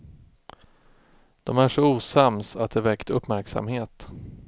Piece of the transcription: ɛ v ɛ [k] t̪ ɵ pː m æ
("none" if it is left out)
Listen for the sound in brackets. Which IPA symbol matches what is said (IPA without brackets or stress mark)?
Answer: k